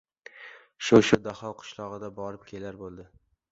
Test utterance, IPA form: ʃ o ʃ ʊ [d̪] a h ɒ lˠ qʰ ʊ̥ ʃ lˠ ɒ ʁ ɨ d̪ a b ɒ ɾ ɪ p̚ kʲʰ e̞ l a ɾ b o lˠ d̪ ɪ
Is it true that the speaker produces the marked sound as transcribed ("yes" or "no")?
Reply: yes